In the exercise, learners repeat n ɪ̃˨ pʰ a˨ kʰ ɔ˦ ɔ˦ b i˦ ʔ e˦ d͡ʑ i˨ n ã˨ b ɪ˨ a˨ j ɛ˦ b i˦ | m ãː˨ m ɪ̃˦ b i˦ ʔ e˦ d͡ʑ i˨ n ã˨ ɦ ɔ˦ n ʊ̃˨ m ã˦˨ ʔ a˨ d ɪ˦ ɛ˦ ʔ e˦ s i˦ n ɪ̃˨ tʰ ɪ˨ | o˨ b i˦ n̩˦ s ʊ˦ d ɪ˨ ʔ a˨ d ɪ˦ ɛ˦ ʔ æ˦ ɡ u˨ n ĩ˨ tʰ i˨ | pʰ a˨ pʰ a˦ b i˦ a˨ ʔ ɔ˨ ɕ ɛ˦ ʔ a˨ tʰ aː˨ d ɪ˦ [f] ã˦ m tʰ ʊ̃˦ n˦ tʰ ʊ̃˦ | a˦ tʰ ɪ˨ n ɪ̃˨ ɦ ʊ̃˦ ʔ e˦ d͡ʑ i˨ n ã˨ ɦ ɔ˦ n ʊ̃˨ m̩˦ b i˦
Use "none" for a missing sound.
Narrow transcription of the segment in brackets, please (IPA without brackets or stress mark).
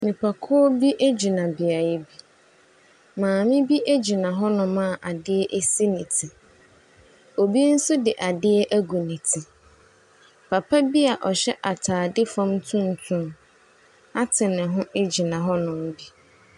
f